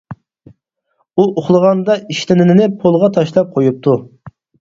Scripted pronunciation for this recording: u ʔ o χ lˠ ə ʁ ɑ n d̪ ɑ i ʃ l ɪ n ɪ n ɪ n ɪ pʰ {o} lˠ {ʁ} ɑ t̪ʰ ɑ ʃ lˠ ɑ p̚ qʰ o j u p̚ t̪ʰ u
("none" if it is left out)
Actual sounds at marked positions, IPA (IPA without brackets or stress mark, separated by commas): o, ʁ